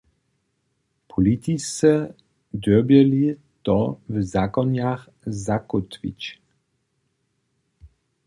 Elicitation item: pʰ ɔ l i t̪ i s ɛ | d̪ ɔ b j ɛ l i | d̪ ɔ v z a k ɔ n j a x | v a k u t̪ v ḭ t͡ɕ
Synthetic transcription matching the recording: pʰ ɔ l i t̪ i s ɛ | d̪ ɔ b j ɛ l i | t̪ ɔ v z a k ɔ n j a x | z a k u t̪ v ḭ t͡ɕ